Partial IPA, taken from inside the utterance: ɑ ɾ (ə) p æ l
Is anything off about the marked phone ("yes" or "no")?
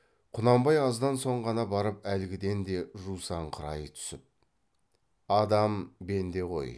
no